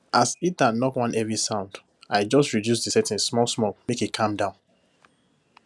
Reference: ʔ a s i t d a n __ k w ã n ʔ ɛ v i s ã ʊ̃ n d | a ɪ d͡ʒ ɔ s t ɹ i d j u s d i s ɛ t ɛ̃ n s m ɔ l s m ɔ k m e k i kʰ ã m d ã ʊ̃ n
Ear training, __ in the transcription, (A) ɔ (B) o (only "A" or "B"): A